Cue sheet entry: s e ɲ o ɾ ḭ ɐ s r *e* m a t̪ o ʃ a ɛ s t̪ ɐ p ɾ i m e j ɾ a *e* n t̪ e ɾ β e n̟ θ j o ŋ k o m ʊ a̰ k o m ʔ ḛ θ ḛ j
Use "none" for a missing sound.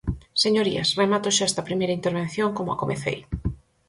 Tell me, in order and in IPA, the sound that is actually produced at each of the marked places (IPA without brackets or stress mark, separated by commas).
e, i